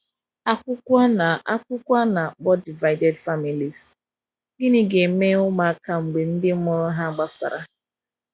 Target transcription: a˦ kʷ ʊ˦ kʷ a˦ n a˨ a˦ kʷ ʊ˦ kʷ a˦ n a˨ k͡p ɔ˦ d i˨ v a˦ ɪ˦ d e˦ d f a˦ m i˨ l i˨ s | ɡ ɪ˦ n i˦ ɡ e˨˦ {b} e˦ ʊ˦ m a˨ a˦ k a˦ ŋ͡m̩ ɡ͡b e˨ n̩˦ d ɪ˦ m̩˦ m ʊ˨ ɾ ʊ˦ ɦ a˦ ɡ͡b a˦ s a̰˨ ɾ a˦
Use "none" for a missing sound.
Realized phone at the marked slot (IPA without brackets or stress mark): m